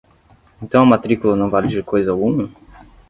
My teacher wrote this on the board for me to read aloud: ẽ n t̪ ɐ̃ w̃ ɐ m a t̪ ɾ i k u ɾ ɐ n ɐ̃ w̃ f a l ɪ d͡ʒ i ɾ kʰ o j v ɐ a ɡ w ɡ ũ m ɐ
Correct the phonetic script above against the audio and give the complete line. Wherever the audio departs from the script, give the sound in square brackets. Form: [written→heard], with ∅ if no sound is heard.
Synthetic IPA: ẽ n t̪ ɐ̃ w̃ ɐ m a t̪ ɾ i k u [ɾ→l] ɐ n ɐ̃ w̃ [f→v] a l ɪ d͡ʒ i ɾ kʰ o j [v→z] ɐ a [ɡ→∅] w ɡ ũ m ɐ